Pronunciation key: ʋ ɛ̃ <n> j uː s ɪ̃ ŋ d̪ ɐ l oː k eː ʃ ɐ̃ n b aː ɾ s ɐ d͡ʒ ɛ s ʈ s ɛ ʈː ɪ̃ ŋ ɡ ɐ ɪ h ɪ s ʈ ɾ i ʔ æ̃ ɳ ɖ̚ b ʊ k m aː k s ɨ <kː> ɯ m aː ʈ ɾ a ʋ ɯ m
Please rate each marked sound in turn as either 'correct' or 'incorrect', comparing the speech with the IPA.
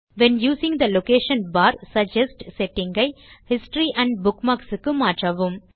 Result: correct, correct

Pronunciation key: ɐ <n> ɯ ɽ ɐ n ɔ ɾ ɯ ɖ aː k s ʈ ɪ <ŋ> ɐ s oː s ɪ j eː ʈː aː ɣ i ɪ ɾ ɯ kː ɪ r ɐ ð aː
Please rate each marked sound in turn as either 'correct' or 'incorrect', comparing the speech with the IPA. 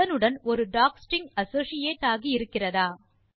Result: correct, correct

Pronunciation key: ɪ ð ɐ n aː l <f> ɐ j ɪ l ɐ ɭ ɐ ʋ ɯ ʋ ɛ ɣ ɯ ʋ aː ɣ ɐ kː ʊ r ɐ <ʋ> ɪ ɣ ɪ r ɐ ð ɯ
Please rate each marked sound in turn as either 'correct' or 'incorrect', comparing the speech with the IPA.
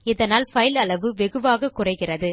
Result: correct, incorrect

